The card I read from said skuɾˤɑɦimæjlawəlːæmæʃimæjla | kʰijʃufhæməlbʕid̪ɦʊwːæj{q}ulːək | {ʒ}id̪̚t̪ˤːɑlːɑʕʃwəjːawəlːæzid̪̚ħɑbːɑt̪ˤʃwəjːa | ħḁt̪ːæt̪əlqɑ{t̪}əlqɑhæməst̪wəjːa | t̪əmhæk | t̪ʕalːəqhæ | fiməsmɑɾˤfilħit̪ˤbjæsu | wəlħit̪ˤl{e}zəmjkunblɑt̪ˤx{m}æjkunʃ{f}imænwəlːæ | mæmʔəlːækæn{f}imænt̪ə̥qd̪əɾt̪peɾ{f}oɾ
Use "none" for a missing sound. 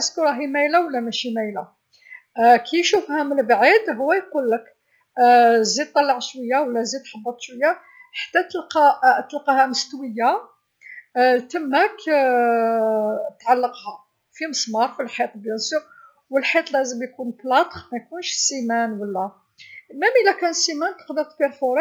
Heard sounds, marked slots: q, z, t̪, æ, m, s, s, f

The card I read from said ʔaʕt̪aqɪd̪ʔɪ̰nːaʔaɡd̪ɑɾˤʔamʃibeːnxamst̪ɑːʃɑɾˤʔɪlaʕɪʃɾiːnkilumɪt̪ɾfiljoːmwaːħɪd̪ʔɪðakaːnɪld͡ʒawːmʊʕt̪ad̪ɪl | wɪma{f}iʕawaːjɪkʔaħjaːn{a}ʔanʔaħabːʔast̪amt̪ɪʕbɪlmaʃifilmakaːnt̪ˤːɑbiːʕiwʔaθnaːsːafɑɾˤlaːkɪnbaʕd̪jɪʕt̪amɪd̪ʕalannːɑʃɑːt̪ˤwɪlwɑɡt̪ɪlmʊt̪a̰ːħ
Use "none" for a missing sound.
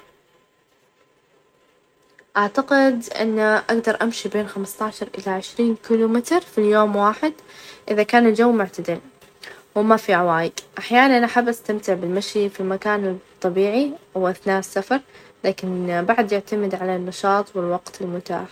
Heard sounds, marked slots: f, a

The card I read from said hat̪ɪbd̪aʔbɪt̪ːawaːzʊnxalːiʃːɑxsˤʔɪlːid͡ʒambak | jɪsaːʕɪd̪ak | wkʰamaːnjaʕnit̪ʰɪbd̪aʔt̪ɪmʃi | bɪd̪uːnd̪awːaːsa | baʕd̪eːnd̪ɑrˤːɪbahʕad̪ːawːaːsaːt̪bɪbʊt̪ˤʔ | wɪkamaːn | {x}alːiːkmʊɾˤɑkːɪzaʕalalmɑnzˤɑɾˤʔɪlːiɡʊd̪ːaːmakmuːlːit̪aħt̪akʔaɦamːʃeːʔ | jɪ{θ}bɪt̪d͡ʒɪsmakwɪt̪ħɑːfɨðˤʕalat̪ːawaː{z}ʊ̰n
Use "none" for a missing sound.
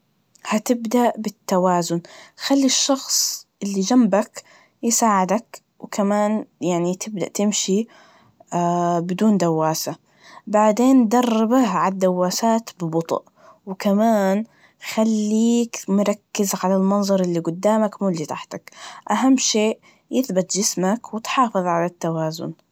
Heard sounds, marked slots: x, θ, z

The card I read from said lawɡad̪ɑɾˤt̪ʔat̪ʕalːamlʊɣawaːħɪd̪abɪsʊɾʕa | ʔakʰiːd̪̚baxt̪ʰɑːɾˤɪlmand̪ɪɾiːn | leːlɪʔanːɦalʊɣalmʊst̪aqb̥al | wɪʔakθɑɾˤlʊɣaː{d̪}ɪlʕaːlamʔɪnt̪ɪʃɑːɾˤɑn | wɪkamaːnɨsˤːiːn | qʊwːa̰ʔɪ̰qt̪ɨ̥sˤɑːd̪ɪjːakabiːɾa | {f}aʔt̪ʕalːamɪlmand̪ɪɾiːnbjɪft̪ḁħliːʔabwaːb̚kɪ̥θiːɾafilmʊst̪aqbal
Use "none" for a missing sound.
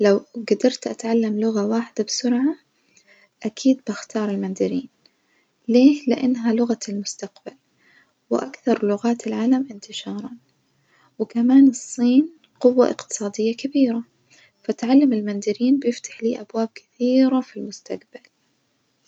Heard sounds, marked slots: t̪, f

